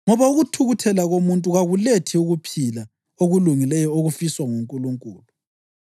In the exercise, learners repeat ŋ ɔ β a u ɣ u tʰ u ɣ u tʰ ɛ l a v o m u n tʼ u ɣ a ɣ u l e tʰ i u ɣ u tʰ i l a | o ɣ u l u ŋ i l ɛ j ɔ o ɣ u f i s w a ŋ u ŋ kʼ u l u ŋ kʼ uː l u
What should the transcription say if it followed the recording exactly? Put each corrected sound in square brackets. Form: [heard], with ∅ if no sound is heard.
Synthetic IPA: ŋ ɔ β a u ɣ u tʰ u ɣ u tʰ ɛ l a [ɣ] o m u n tʼ u ɣ a ɣ u l e tʰ i u ɣ u [pʰ] i l a | o ɣ u l u ŋ i l ɛ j ɔ o ɣ u f i s w a ŋ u ŋ kʼ u l u ŋ kʼ uː l u